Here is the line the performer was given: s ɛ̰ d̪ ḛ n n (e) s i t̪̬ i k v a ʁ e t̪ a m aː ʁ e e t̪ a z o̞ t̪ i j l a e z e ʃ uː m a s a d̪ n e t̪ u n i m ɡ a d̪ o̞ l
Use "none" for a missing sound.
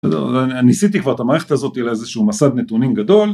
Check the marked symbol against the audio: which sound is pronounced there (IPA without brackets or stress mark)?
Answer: i